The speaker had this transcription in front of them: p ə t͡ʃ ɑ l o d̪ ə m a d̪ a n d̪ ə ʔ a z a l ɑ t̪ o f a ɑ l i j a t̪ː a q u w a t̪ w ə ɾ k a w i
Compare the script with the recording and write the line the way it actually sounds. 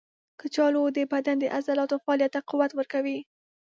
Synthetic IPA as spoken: k ə t͡ʃ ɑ l o d̪ ə b a d̪ a n d̪ ə ʔ a z a l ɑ t̪ o f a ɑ l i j a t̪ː a q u w a t̪ w ə ɾ k a w i